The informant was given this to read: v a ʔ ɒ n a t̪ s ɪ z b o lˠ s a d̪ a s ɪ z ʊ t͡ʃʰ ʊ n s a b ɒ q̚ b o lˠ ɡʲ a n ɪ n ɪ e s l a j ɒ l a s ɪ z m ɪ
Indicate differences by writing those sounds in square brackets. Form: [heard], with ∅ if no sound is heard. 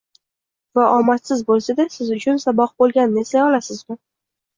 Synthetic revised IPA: v a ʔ ɒ [m] a t̪ s ɪ z b o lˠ s a d̪ a s ɪ z ʊ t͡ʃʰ ʊ n s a b ɒ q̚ b o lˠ ɡʲ a n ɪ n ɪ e s l a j ɒ l a s ɪ z m ɪ